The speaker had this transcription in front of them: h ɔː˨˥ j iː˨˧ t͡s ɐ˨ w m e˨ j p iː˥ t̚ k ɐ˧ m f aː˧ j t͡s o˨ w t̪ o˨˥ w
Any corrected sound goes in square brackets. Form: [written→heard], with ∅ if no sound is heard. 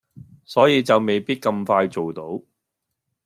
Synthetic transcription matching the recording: [h→s] ɔː˨˥ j iː˨˧ t͡s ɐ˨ w m e˨ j p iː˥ t̚ k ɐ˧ m f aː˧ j t͡s o˨ w t̪ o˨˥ w